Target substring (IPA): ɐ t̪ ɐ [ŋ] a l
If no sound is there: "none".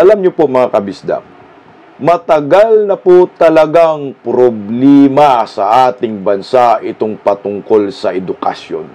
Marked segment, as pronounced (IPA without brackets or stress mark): ɡ